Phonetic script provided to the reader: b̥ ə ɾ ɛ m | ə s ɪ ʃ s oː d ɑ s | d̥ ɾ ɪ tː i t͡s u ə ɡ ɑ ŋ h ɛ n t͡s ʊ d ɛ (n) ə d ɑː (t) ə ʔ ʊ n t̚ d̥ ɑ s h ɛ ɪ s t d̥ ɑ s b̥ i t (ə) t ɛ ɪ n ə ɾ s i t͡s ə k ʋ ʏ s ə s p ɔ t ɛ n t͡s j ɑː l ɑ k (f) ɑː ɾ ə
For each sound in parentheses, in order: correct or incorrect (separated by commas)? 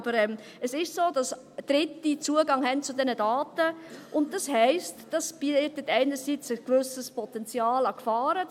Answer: correct, correct, correct, correct